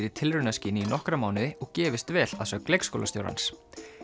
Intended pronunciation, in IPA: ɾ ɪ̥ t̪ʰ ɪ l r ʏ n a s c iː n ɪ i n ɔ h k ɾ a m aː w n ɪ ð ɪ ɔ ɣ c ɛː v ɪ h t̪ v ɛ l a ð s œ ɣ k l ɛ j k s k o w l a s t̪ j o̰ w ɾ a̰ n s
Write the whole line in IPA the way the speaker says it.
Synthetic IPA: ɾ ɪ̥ t̪ʰ ɪ l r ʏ n a s c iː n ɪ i n ɔ h k ɾ a m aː w n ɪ ð ɪ ɔ ɣ c ɛː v ɪ s t̪ v ɛː l a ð s œ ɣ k l e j k s k o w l a s t̪ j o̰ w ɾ a̰ n s